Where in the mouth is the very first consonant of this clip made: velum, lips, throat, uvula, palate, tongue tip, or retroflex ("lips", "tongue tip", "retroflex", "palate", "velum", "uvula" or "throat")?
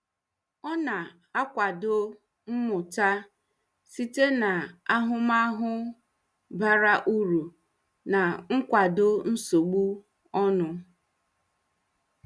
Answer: tongue tip